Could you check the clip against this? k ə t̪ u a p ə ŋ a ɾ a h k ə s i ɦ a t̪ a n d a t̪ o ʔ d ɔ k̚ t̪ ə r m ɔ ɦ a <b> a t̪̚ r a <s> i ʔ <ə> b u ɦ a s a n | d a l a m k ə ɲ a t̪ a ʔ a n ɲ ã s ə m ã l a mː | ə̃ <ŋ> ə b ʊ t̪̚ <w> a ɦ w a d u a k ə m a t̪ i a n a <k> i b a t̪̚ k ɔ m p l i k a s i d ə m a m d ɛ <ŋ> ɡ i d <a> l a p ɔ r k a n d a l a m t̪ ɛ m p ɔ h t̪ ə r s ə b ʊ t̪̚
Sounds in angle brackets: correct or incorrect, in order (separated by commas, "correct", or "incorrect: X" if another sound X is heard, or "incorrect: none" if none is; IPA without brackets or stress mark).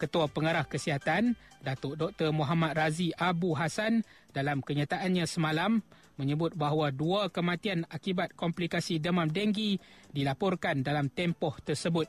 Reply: incorrect: m, incorrect: z, incorrect: a, incorrect: ɲ, incorrect: b, correct, correct, incorrect: i